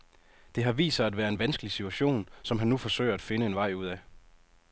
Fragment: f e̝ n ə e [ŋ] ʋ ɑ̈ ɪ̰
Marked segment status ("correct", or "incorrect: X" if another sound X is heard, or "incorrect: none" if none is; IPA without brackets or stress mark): incorrect: n